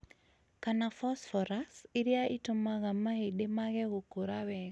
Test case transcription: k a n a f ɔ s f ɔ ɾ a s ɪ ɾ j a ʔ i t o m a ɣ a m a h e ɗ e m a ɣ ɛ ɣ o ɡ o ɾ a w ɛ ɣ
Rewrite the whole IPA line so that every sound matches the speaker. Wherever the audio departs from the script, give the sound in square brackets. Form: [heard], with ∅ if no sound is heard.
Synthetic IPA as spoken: k a n a f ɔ s f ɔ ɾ a s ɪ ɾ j a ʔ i t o m a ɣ a m a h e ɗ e m a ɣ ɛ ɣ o [k] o ɾ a w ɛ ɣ